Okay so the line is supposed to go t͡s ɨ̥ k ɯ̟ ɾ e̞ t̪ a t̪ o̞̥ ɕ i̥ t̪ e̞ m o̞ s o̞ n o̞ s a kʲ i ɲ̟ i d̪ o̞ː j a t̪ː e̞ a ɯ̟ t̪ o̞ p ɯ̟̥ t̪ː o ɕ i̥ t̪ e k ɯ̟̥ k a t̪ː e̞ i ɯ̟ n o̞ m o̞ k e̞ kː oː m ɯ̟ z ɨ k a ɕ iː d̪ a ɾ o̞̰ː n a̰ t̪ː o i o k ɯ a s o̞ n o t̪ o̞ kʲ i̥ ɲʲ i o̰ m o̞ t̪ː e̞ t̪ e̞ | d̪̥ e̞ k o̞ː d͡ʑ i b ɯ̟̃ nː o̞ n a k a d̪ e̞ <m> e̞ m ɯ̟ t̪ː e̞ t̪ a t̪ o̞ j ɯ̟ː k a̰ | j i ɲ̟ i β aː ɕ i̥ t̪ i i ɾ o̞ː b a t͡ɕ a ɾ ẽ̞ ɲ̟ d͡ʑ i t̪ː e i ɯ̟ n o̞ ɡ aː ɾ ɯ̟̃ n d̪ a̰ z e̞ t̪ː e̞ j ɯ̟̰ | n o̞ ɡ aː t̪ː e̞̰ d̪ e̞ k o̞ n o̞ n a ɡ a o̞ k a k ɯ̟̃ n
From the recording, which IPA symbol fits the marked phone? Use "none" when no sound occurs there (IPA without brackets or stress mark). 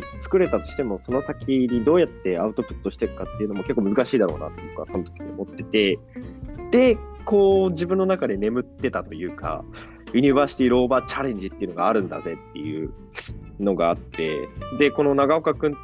n